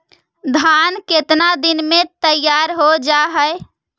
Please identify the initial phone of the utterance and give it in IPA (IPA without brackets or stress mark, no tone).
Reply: d̪ʱ